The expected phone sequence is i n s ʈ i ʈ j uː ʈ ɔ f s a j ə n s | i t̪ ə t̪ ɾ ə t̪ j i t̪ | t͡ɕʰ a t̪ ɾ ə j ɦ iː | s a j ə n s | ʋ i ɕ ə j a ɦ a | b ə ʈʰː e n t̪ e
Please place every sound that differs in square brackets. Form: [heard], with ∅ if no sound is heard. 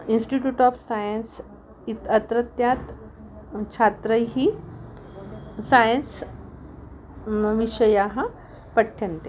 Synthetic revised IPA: i n s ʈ i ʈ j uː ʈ ɔ f s a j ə n s | i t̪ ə t̪ ɾ ə t̪ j [a] t̪ | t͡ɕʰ a t̪ ɾ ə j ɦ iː | s a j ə n s | ʋ i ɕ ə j a ɦ a | [p] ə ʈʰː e n t̪ e